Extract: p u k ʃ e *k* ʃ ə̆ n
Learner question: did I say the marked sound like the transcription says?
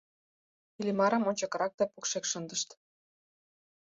yes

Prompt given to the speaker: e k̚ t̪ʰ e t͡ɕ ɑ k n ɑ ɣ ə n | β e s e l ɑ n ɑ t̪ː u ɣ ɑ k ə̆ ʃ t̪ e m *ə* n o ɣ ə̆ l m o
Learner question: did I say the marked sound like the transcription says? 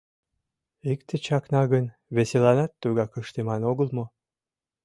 no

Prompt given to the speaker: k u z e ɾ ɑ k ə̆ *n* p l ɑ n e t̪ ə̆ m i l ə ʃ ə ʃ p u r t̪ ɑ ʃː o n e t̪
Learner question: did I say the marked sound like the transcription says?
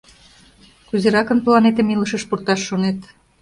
yes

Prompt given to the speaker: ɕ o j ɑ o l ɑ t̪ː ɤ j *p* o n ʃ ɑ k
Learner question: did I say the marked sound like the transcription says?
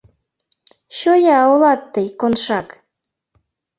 no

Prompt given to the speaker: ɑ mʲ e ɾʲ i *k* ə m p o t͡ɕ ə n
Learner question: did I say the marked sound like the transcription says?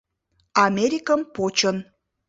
yes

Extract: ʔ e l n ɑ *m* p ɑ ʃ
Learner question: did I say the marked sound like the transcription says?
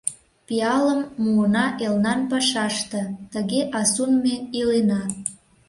no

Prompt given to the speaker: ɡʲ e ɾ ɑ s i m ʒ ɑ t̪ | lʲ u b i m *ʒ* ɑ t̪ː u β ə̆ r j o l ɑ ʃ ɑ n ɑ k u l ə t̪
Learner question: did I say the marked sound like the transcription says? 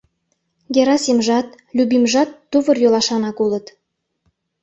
yes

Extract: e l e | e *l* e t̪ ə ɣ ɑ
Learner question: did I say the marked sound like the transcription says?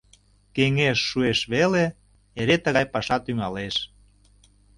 no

